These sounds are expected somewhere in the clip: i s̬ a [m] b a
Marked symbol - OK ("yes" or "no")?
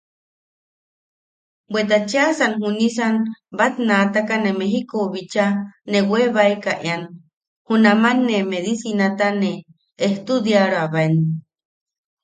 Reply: no